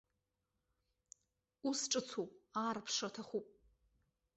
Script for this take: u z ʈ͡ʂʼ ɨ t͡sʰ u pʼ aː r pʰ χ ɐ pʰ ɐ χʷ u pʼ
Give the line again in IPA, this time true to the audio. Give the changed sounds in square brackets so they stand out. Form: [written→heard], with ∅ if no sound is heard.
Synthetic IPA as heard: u [z→s] ʈ͡ʂʼ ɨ t͡sʰ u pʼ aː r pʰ [χ→ʂ] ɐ [pʰ→tʰ] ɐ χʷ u pʼ